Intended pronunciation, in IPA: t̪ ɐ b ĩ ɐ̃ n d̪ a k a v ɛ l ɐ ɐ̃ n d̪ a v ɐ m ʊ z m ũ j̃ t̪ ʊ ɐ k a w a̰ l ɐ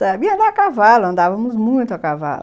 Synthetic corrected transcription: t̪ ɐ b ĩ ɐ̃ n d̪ a k a v a l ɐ ɐ̃ n d̪ a v ɐ m ʊ z m ũ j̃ t̪ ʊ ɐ k a v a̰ l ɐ